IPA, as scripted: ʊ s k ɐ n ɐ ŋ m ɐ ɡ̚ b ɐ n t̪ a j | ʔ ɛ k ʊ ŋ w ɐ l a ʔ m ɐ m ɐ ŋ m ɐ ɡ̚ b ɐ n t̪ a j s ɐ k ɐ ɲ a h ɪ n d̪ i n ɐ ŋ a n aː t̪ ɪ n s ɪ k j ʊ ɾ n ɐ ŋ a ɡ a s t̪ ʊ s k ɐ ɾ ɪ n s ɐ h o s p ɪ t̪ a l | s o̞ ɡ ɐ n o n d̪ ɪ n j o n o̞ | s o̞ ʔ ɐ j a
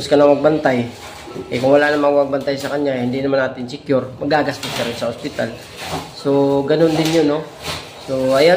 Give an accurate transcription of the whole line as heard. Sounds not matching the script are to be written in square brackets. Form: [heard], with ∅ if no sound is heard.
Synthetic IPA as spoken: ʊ s k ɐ n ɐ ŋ m ɐ ɡ̚ b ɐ n t̪ a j | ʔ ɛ k ʊ ŋ w ɐ l a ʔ [n] ɐ m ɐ ŋ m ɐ ɡ̚ b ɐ n t̪ a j s ɐ k ɐ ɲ a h ɪ n d̪ i n ɐ [m] a n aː t̪ ɪ n s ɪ k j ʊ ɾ [m] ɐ [ɡ] a ɡ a s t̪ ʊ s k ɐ ɾ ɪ n s ɐ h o s p ɪ t̪ a l | s o̞ ɡ ɐ n o n d̪ ɪ n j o n o̞ | s o̞ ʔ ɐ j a